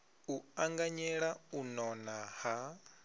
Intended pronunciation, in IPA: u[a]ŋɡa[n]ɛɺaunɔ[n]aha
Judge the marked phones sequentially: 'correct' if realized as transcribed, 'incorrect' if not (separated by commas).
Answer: correct, incorrect, correct